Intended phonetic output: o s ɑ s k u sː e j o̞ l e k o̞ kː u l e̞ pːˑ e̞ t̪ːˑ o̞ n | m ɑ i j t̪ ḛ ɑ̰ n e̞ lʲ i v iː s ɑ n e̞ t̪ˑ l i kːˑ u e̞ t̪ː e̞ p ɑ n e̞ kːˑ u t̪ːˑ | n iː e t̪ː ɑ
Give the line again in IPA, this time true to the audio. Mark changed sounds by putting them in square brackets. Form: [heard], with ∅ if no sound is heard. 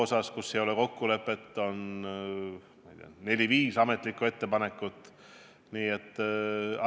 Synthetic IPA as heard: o s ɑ s k u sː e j o̞ l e k o̞ kː u l e̞ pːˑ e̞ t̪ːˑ o̞ n | m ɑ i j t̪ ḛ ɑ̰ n e̞ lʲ i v iː s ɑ [m] e̞ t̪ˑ l i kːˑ u e̞ t̪ː e̞ p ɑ n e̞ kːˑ u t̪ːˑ | n iː e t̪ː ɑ